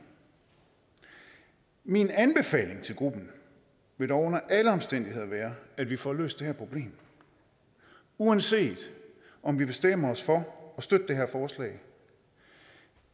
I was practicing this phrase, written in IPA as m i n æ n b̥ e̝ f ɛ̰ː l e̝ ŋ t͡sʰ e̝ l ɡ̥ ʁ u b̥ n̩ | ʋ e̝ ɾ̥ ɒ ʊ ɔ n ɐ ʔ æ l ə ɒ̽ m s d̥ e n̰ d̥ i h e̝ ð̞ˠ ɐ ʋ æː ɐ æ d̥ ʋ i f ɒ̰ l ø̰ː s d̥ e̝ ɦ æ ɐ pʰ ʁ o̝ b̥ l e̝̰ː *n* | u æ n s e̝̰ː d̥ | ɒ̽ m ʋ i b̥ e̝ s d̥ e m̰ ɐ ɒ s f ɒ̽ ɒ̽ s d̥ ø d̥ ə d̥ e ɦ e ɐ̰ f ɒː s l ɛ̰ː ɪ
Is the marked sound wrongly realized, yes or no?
yes